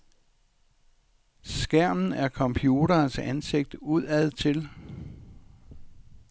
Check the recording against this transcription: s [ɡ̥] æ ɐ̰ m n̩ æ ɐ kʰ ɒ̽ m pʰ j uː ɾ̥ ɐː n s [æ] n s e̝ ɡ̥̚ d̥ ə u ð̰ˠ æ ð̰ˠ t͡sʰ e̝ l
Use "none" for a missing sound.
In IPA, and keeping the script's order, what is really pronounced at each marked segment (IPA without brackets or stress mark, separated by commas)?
ɡ̥, æ